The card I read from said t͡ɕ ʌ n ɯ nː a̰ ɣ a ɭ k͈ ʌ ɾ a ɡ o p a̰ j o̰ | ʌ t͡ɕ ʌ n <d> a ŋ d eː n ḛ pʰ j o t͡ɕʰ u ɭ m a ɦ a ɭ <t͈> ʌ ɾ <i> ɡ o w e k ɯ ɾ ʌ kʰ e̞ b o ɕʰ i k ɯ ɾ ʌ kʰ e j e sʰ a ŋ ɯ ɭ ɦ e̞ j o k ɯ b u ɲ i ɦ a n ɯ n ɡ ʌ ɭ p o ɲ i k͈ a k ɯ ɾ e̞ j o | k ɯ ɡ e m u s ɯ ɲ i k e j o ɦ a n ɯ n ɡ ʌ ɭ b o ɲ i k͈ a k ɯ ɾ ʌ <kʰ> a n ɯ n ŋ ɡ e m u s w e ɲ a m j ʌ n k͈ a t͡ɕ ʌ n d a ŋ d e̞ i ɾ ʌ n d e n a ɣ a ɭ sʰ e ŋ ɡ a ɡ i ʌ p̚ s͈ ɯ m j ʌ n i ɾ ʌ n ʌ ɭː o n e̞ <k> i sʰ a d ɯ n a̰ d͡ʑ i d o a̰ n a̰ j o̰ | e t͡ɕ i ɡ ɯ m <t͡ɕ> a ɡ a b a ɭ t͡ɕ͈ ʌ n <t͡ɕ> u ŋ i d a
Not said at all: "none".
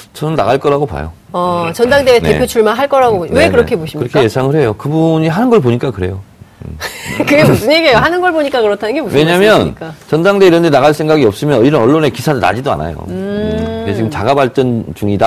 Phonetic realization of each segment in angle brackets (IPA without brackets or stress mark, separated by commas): d, k͈, a, tʰ, k, t͡ɕ, t͡ɕ